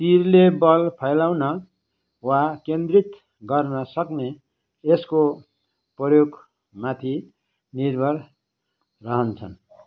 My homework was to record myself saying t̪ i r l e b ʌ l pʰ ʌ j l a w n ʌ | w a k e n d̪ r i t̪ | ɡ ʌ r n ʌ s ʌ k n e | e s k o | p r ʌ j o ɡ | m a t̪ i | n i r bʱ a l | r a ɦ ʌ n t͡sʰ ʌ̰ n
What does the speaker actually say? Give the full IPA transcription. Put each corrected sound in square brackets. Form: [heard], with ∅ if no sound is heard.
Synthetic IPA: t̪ i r l e b ʌ l pʰ ʌ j l a w n ʌ | w a k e n d̪ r i t̪ | ɡ ʌ r n ʌ s ʌ k n e | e s k o | p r ʌ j o ɡ | m a [t̪ʰ] i | n i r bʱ [ʌ] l | r [ʌ] ɦ ʌ n t͡sʰ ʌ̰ n